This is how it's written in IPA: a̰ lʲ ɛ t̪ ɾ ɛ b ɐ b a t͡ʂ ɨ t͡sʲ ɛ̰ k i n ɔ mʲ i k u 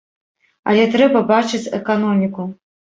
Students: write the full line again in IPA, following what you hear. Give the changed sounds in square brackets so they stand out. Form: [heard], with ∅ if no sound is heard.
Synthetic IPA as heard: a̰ lʲ ɛ t̪ ɾ ɛ b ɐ b a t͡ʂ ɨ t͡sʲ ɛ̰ k [a] n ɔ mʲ i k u